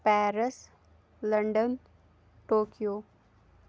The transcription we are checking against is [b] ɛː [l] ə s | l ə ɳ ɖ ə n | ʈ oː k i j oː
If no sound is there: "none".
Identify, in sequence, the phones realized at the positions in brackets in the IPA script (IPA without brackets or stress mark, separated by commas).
p, ɾ